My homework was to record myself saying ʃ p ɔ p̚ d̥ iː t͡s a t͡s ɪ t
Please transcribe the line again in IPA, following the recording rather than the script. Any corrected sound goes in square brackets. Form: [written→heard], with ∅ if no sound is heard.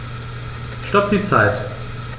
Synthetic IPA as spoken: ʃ [p→t] ɔ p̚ d̥ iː t͡s a [t͡s→∅] ɪ t